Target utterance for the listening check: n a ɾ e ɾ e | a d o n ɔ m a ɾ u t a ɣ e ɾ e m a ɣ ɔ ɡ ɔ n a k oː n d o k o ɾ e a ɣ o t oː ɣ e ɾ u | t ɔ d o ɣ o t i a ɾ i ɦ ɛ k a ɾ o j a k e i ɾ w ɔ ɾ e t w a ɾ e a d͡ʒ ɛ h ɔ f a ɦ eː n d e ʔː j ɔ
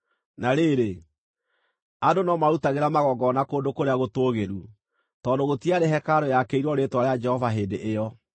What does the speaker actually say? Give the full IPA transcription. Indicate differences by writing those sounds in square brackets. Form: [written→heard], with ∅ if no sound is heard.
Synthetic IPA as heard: n a ɾ e ɾ e | a d o n ɔ m a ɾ u t a ɣ e ɾ [e→a] m a ɣ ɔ ɡ ɔ n a k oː n d o k o ɾ e a ɣ o t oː ɣ e ɾ u | t ɔ d o ɣ o t i a ɾ [i→e] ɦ ɛ k a ɾ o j a k e i ɾ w ɔ ɾ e t w a ɾ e a d͡ʒ ɛ h ɔ [f→v] a ɦ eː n d e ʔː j ɔ

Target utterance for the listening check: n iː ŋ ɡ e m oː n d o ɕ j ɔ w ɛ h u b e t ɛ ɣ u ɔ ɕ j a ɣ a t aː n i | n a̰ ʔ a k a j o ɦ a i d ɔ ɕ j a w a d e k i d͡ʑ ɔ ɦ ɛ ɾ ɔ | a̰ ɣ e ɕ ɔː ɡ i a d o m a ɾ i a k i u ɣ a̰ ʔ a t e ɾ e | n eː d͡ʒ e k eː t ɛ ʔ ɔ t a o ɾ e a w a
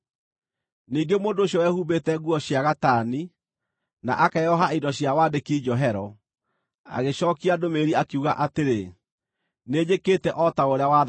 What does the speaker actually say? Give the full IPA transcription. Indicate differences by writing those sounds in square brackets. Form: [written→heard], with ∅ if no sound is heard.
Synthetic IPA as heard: n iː ŋ ɡ e m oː n d o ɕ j ɔ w ɛ h u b e t ɛ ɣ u ɔ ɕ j a ɣ a t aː n i | n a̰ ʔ a k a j [o→ɔ] ɦ a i d ɔ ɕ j a w a d e k i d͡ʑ ɔ ɦ ɛ ɾ ɔ | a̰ ɣ e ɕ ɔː [ɡ→k] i a d o m [a→e] ɾ i a k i u ɣ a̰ ʔ a t e ɾ e | n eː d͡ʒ e k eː t ɛ ʔ ɔ t a o ɾ e a w a

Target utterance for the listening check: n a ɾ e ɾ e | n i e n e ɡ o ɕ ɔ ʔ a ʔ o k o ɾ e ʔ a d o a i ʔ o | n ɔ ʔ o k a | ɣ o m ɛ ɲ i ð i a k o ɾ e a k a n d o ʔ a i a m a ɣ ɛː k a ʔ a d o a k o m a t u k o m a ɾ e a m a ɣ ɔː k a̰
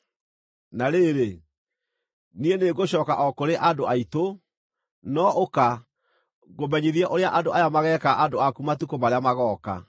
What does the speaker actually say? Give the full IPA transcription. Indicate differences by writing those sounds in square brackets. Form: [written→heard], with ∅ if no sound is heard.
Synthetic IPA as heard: n a ɾ e ɾ e | n i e n e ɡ o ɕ ɔ [ʔ→k] a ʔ [o→ɔ] k o ɾ e ʔ a d o a i [ʔ→t] o | n ɔ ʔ o k a | ɣ o m ɛ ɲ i ð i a [k→ʔ] o ɾ e a [k→ʔ] a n d o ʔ a [i→j] a m a ɣ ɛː k a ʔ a d o a k [o→u] m a t u k o m a ɾ e a m a ɣ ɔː k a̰

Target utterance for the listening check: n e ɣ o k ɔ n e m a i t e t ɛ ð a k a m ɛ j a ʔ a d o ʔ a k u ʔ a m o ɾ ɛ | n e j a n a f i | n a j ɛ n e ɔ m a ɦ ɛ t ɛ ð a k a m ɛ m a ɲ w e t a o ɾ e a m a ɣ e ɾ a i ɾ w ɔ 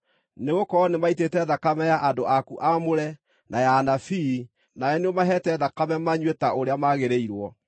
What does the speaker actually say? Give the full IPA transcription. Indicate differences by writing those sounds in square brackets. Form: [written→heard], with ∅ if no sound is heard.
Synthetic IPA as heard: n e ɣ o k ɔ n e m a i t e t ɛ ð a k a m ɛ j a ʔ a d o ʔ a k u ʔ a m o ɾ ɛ | n [e→a] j a n a f i | n a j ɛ n e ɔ m a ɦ ɛ t ɛ ð a k a m ɛ m a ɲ w e t a o ɾ e a m a ɣ e ɾ [a→e] i ɾ w ɔ

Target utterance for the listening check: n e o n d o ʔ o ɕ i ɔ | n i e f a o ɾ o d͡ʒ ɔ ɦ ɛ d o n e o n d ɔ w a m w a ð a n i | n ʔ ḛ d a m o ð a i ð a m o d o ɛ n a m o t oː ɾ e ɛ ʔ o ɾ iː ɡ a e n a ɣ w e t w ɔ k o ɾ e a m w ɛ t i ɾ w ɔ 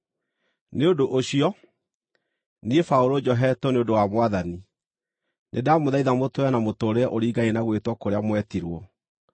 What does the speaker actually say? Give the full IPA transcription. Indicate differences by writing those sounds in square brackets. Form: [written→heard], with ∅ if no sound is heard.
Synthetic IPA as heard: n e o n d o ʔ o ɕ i ɔ | n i e f a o ɾ o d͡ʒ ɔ ɦ ɛ [d→t] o n e o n d [ɔ→o] w a m w a ð a n i | n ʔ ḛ d a m o ð a i ð a m o [d→t] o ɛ n a m o t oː ɾ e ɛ ʔ o ɾ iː ɡ a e n a ɣ w e t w ɔ k o ɾ e a m w ɛ t i ɾ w ɔ

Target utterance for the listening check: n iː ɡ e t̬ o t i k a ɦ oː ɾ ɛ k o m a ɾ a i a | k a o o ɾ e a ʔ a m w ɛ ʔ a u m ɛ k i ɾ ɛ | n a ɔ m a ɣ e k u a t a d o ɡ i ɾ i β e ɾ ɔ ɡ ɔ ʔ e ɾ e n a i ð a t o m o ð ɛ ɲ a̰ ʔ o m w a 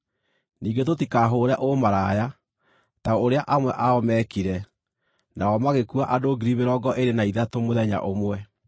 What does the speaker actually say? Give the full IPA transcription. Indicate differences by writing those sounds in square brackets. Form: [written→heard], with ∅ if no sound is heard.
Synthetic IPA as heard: n iː ɡ e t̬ o t i k a ɦ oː ɾ ɛ [k→ʔ] o m a ɾ a [i→j] a | [k→t] a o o ɾ e a ʔ a m w ɛ ʔ a [u→ɔ] m ɛ k i ɾ ɛ | n a ɔ m a ɣ e k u a [t→ʔ] a d o ɡ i ɾ i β e ɾ ɔ ɡ ɔ ʔ e ɾ e n a i ð a t o m o ð ɛ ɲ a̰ ʔ o m w [a→ɛ]

